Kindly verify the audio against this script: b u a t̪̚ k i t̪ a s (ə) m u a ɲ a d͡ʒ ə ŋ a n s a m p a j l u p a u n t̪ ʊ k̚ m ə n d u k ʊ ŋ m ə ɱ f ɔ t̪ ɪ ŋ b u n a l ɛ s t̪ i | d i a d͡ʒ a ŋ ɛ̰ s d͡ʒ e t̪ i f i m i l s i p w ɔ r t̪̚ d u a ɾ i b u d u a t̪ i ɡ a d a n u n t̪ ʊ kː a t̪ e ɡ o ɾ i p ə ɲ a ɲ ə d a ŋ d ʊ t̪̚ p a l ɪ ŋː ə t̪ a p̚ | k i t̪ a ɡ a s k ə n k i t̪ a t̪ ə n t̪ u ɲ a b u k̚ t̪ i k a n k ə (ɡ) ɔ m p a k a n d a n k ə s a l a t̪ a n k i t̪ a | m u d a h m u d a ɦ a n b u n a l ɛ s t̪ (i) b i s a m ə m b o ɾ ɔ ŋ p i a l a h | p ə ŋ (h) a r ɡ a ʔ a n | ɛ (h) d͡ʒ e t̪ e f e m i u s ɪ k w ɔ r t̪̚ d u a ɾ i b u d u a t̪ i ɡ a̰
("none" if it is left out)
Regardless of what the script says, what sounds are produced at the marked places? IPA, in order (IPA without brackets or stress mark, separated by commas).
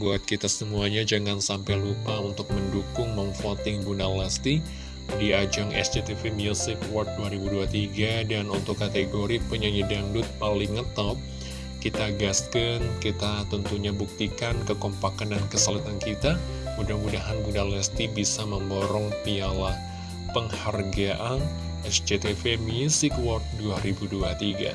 ə, k, i, h, s